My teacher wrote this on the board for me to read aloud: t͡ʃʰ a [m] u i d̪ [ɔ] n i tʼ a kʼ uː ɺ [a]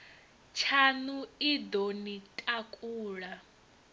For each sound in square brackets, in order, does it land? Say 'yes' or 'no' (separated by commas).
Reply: no, no, yes